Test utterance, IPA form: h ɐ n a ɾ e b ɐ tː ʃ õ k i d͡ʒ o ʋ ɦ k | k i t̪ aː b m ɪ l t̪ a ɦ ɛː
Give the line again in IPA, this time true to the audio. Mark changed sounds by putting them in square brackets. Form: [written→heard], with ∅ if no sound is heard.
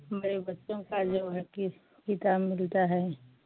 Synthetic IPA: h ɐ [n→m] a ɾ e b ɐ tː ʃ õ k [i→a] d͡ʒ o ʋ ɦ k | k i t̪ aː b m ɪ l t̪ a ɦ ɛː